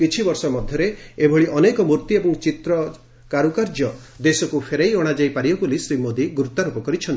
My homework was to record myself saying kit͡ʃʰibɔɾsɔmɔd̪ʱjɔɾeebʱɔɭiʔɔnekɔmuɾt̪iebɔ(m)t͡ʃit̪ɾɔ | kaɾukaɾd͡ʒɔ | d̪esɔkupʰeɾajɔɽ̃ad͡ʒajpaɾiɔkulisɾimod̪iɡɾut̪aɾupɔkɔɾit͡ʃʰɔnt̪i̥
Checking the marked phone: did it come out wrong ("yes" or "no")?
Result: yes